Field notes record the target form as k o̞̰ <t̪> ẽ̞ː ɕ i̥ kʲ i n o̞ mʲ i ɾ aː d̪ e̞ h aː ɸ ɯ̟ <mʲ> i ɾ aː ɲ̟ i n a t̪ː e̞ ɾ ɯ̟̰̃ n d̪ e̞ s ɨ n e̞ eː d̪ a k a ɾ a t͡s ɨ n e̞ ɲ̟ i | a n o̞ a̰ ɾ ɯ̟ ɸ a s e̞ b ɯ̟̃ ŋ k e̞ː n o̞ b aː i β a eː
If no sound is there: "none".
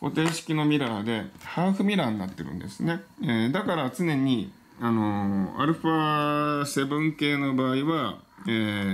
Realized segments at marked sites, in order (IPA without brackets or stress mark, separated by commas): t̪, mʲ